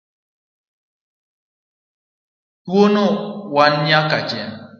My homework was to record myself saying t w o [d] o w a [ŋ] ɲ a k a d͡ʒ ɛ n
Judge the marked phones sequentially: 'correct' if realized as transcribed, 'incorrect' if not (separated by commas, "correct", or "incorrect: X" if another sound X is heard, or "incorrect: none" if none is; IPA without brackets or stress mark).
incorrect: n, incorrect: n